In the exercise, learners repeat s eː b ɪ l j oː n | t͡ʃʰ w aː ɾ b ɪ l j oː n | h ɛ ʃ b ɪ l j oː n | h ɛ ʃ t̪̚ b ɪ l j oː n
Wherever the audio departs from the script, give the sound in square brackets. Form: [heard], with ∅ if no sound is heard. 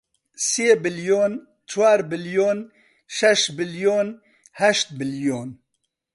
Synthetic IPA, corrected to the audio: s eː b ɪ l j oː n | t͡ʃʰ w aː ɾ b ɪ l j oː n | [ʃ] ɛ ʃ b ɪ l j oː n | h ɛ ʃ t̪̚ b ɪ l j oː n